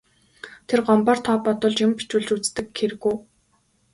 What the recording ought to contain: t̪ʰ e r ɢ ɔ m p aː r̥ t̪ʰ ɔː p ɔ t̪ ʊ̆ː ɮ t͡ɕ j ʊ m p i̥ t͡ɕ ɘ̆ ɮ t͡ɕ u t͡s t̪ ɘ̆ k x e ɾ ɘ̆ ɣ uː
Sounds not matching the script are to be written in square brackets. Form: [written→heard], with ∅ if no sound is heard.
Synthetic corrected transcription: t̪ʰ e r ɢ ɔ m p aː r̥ t̪ʰ ɔː p ɔ t̪ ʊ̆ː ɮ t͡ɕ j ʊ m p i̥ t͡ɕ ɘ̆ ɮ t͡ɕ u t͡s t̪ ɘ̆ k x e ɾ ɘ̆ ɣ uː